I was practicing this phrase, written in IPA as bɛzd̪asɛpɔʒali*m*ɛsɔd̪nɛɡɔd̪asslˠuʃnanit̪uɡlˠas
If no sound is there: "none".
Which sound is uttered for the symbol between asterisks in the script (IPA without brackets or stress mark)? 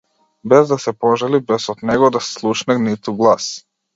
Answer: b